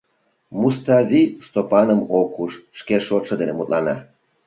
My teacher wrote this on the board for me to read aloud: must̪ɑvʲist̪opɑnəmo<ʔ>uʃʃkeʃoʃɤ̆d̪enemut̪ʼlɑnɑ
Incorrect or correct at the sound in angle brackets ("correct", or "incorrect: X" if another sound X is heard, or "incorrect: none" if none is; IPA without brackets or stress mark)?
incorrect: k